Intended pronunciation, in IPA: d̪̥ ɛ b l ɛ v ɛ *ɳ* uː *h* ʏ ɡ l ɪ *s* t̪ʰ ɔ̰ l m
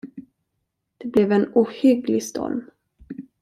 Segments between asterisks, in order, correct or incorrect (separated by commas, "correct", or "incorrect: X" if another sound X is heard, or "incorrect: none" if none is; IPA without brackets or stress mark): incorrect: n, correct, correct